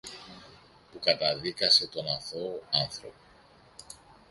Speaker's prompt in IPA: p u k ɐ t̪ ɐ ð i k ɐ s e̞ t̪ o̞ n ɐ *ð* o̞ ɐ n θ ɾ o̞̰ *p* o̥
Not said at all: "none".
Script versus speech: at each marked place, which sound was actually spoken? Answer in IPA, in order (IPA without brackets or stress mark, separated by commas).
θ, p